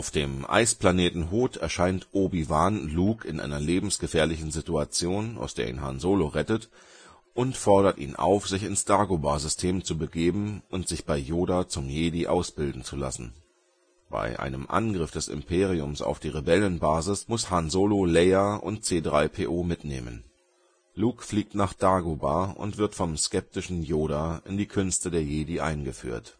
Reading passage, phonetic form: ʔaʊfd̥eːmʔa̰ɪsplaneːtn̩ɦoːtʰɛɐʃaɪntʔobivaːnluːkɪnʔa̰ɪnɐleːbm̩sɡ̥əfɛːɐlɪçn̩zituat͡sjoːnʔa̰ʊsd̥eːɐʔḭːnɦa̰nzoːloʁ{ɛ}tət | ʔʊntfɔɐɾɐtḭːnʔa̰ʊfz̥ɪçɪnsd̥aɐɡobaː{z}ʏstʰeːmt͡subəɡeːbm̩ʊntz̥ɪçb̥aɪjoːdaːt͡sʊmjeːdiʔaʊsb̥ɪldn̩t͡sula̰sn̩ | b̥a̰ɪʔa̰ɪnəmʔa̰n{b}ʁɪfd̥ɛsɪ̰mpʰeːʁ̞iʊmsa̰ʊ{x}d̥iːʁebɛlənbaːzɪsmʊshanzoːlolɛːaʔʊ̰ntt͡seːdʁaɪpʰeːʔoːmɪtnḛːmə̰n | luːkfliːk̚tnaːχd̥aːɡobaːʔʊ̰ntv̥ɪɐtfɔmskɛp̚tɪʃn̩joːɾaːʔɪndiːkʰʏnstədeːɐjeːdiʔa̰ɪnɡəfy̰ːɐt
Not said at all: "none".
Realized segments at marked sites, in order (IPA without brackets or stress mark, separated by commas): ɛ, z, ɡ, f